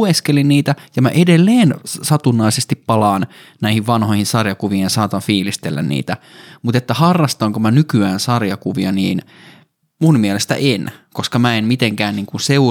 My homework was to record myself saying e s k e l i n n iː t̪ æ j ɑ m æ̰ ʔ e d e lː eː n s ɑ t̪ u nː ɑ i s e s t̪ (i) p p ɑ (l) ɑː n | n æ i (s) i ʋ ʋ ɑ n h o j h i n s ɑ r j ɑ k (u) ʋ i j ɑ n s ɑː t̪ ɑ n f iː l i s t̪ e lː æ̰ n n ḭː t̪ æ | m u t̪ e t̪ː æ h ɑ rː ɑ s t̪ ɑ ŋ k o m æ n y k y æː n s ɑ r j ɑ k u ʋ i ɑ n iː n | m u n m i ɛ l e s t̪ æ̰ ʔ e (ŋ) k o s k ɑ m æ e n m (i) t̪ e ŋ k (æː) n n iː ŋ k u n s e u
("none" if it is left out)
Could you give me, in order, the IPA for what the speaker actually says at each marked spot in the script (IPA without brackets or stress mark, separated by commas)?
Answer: i, l, h, u, n, i, æː